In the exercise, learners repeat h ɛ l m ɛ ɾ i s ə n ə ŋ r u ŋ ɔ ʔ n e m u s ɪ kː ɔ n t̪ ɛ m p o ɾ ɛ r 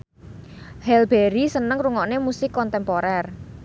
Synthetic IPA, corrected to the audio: h ɛ l b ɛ ɾ i s ə n ə ŋ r u ŋ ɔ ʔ n e m u s ɪ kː ɔ n t̪ ɛ m p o ɾ ɛ r